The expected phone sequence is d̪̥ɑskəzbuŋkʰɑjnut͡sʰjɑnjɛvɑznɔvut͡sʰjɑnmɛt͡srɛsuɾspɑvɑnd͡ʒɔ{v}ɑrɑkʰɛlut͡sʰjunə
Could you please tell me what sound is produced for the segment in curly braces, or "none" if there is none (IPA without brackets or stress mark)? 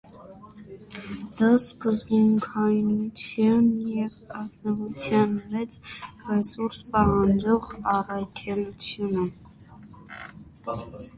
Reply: ʁ